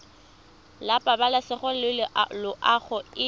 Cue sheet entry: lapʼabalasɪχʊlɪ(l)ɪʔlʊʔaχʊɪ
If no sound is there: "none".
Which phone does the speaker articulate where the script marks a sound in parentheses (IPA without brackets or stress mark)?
l